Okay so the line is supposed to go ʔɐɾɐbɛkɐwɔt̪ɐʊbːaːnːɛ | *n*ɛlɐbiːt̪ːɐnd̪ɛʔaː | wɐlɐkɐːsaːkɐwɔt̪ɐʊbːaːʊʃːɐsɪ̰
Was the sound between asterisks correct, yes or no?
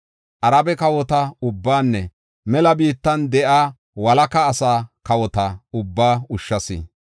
no